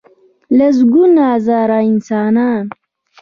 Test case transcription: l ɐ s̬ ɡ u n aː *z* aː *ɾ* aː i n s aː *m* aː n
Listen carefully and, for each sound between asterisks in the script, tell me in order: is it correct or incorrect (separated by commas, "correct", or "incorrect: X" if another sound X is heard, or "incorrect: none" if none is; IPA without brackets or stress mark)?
correct, correct, incorrect: n